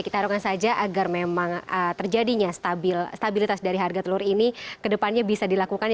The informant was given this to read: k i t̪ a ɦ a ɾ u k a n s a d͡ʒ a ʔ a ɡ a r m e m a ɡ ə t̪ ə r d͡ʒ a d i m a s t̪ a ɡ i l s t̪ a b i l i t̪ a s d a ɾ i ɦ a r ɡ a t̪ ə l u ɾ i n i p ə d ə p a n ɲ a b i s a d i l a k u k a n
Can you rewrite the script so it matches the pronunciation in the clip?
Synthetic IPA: k i t̪ a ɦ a ɾ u k a n s a d͡ʒ a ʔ a ɡ a r m e m a ŋ ə t̪ ə r d͡ʒ a d i ɲ a s t̪ a b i l s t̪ a b i l i t̪ a s d a ɾ i ɦ a r ɡ a t̪ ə l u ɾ i n i k ə d ə p a n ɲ a b i s a d i l a k u k a n